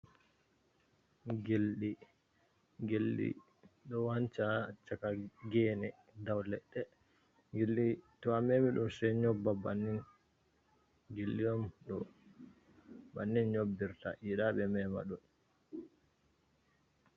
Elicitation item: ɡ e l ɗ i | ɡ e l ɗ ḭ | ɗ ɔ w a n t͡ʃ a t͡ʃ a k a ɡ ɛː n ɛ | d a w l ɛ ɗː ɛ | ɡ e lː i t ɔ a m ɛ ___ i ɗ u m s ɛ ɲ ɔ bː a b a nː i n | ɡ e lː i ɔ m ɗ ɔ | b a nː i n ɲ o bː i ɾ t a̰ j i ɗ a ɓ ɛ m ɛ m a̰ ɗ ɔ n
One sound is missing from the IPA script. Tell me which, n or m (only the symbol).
m